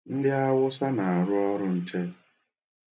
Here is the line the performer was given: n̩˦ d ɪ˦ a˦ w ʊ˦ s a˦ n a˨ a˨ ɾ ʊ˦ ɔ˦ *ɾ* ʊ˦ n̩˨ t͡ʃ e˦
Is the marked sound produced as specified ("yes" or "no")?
yes